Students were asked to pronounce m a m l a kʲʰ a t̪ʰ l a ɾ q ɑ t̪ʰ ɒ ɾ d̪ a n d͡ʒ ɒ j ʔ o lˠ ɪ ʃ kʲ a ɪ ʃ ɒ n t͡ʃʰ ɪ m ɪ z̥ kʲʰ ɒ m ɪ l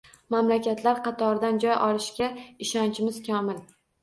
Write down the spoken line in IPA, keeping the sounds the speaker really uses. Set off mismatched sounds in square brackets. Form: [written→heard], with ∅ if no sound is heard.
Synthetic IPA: m a m l a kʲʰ a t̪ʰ l a ɾ q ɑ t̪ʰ ɒ ɾ d̪ a n d͡ʒ ɒ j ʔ [o→ɒ] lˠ ɪ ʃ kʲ a ɪ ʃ ɒ n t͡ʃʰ ɪ m ɪ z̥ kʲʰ ɒ m ɪ l